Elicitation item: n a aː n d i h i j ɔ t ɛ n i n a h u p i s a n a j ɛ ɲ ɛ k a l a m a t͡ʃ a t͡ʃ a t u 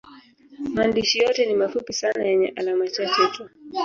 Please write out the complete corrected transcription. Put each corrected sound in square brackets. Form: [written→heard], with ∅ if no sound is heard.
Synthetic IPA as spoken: [n→m] a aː n d i [h→ʃ] i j ɔ t ɛ n i [n→m] a [h→f] u p i s a n a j ɛ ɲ ɛ [k→ʔ] a l a m a t͡ʃ a t͡ʃ [a→ɛ] t u